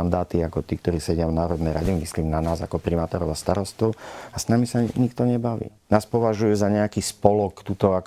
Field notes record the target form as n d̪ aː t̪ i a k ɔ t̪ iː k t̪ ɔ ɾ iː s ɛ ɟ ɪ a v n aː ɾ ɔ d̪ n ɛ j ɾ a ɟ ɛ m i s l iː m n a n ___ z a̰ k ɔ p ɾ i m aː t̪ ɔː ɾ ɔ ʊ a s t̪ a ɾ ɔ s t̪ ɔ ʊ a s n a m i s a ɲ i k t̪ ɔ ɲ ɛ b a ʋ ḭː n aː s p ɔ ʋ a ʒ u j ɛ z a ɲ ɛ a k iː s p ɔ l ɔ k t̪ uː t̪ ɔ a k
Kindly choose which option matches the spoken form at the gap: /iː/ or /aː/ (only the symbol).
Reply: aː